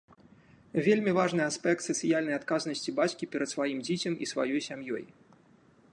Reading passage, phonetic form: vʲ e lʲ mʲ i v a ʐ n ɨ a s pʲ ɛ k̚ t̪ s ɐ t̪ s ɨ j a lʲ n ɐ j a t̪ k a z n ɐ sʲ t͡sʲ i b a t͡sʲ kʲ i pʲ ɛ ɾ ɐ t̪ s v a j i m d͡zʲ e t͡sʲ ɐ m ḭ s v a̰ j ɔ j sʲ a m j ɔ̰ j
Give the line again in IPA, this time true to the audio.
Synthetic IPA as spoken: vʲ e lʲ mʲ i v a ʐ n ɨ a s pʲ ɛ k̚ t̪ s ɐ t̪ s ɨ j a lʲ n ɐ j a t̪ k a z n ɐ sʲ t͡sʲ i b a t͡sʲ kʲ i pʲ ɛ ɾ ɐ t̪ s v a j i m d͡zʲ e t͡sʲ ɐ m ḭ s v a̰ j ɔ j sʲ a m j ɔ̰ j